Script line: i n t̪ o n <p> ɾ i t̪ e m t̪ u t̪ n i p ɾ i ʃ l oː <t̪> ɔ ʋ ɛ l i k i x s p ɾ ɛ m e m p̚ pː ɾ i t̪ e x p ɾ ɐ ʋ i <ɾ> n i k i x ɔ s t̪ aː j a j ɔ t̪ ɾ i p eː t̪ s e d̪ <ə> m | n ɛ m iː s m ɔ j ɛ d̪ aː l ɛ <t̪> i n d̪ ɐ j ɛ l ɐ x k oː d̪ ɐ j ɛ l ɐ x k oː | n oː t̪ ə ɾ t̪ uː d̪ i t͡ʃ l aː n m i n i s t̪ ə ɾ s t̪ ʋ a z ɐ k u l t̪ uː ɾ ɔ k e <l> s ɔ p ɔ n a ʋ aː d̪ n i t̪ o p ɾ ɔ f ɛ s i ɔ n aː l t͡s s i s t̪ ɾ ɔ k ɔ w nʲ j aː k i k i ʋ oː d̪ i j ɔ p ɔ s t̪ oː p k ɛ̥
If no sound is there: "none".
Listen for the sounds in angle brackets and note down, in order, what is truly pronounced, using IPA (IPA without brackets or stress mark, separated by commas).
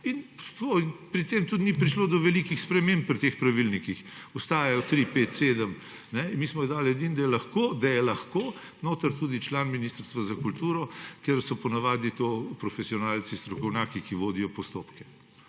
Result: p, d̪, l, ə, d̪, ɾ